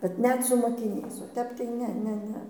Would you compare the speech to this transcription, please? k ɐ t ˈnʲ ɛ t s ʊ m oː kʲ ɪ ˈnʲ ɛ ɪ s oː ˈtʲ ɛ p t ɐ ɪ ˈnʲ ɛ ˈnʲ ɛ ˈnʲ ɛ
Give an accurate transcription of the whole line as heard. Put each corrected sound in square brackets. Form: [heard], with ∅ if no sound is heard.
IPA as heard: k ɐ t ˈnʲ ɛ t s ʊ m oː kʲ ɪ ˈnʲ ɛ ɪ s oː ˈtʲ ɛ p t ɐ ɪ ˈnʲ ɛ ˈnʲ ɛ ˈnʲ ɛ

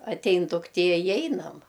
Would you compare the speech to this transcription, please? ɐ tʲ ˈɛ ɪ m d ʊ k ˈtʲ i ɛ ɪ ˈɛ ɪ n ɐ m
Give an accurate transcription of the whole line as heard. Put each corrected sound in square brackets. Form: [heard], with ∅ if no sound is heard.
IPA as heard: ɐ tʲ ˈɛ ɪ [n] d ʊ k ˈtʲ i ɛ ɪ ˈɛ ɪ n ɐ m

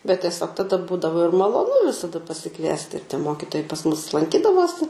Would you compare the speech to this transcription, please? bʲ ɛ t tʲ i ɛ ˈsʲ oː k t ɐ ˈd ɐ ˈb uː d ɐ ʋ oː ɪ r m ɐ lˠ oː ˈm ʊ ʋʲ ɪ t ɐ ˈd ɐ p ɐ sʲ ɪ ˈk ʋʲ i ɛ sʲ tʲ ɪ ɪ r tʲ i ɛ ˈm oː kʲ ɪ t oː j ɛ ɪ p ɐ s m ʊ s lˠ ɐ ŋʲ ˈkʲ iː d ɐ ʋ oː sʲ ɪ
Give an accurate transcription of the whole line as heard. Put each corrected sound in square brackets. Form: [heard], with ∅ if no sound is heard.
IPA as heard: bʲ ɛ t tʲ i ɛ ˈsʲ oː k t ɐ ˈd ɐ ˈb uː d ɐ ʋ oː ɪ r m ɐ lˠ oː [ˈn] ʊ ʋʲ ɪ [s] ɐ ˈd ɐ p ɐ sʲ ɪ ˈk ʋʲ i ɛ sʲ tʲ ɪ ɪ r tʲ i ɛ ˈm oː kʲ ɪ t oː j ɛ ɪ p ɐ s m ʊ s lˠ ɐ ŋʲ ˈkʲ iː d ɐ ʋ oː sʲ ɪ

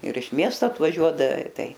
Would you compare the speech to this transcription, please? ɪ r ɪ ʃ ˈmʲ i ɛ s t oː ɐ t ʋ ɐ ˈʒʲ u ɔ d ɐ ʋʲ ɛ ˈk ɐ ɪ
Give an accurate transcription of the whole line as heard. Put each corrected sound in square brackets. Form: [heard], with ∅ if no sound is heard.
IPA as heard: ɪ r ɪ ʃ ˈmʲ i ɛ s t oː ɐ t ʋ ɐ ˈʒʲ u ɔ d ɐ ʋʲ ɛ [ˈt] ɐ ɪ

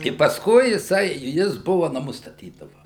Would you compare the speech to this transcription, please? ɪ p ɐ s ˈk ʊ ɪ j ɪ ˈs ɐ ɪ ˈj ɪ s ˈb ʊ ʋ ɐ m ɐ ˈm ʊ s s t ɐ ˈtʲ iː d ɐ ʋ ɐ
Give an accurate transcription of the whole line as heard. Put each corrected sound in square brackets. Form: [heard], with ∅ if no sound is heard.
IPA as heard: ɪ p ɐ s ˈk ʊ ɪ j ɪ ˈs ɐ ɪ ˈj ɪ s ˈb ʊ ʋ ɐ [n] ɐ ˈm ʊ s s t ɐ ˈtʲ iː d ɐ ʋ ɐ

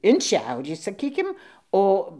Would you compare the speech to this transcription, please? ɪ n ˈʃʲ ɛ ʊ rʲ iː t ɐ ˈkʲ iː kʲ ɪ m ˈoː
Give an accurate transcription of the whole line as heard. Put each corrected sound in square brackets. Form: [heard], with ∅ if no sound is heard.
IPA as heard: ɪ n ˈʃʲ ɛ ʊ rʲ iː [s] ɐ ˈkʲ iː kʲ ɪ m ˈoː

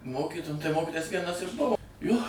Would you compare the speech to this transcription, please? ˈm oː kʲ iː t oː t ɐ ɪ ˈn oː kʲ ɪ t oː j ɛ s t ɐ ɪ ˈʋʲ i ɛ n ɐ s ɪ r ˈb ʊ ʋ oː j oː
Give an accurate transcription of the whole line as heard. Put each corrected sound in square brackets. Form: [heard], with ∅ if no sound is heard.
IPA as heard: ˈm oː kʲ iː t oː t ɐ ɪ [ˈm] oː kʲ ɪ t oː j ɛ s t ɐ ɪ ˈʋʲ i ɛ n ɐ s ɪ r ˈb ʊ ʋ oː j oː

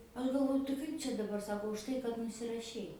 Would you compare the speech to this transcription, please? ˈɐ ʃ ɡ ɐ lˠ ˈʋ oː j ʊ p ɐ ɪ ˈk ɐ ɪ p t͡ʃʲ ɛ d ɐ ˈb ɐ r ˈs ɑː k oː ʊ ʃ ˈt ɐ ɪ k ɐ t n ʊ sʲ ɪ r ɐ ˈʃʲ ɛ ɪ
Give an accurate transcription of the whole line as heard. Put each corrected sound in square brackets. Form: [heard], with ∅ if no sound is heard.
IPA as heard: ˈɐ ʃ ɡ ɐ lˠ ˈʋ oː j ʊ [t] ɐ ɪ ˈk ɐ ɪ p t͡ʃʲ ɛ d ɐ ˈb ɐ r ˈs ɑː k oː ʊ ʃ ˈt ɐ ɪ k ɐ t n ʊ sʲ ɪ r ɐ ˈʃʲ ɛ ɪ

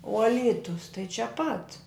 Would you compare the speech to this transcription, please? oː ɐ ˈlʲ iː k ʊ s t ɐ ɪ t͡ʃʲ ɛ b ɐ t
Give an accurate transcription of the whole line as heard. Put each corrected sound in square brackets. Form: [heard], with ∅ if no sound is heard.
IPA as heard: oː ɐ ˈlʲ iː [t] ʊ s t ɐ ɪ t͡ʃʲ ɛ [p] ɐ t

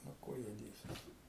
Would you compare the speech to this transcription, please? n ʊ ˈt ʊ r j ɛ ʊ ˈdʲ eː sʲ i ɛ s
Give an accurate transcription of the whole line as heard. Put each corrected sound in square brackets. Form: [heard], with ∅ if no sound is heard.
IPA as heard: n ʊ [ˈk] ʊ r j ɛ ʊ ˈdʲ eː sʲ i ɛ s

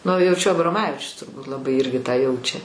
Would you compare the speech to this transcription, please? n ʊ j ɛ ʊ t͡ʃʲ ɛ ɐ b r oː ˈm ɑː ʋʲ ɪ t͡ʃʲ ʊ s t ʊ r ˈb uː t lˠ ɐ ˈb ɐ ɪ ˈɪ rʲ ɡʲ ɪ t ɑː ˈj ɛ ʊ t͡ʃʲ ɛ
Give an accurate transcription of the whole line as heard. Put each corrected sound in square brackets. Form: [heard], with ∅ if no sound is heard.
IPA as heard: n ʊ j ɛ ʊ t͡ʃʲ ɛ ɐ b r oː ˈm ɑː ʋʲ ɪ t͡ʃʲ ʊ s t ʊ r ˈb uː t lˠ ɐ ˈb ɐ ɪ ˈɪ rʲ ɡʲ ɪ t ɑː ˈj ɛ ʊ t͡ʃʲ ɛ

